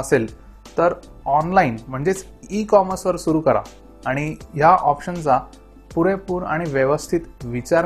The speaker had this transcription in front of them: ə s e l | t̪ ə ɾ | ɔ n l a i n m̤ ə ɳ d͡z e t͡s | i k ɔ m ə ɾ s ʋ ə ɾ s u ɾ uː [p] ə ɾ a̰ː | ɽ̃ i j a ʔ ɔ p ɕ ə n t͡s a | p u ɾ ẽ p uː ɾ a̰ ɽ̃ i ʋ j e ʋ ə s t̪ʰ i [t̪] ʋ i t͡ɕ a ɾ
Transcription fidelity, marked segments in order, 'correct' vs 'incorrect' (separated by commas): incorrect, correct